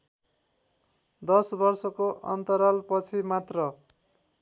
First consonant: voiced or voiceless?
voiced